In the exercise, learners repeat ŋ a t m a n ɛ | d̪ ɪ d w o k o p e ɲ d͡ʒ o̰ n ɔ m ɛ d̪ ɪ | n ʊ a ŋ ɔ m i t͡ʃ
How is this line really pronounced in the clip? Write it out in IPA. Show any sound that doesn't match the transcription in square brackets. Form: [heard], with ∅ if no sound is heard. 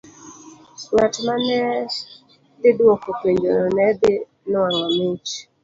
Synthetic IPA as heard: ŋ a t m a n ɛ | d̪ ɪ d w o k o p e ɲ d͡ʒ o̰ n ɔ [n] ɛ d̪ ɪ | n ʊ a ŋ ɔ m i t͡ʃ